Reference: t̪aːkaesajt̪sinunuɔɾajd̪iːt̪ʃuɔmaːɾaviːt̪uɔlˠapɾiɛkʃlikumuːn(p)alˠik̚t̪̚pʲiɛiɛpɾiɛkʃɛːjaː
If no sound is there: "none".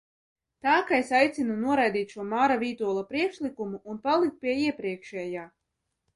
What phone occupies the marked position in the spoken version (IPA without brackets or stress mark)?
p